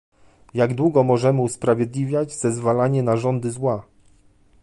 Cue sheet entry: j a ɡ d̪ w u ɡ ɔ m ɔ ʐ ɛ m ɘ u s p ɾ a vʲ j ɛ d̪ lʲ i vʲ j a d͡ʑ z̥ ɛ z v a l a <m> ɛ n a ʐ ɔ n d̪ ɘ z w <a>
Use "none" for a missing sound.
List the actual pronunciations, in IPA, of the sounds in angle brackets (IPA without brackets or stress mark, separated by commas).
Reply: ɲ, a